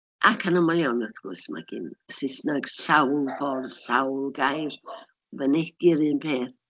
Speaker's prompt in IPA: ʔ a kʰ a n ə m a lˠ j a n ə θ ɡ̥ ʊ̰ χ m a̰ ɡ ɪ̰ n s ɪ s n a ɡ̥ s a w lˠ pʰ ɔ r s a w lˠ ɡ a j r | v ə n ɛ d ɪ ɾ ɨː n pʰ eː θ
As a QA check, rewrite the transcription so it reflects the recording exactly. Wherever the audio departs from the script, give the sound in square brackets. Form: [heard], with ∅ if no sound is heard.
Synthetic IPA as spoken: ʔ a kʰ a n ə m a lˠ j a n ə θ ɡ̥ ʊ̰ [s] m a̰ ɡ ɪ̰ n s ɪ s n a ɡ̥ s a w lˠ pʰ ɔ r s a w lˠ ɡ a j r | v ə n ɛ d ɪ ɾ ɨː n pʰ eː θ